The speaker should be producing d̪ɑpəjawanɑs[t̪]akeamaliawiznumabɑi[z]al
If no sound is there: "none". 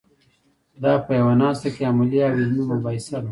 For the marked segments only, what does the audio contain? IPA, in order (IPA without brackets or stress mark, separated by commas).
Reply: t̪, s